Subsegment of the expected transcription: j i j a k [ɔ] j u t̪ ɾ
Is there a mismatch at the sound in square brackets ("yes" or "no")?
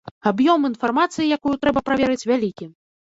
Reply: yes